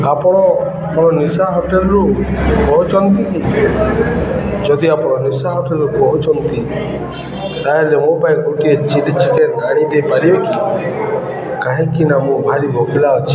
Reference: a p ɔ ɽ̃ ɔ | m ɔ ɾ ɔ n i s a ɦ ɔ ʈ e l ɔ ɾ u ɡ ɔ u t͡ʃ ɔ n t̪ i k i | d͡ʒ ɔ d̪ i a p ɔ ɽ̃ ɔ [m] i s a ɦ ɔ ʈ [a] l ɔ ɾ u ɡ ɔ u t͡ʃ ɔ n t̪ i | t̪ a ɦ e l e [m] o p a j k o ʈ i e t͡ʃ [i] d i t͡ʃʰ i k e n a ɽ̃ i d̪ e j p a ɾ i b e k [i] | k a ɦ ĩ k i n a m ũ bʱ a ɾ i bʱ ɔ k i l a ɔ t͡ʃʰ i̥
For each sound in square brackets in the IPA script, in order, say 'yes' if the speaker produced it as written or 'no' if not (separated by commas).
no, no, yes, yes, yes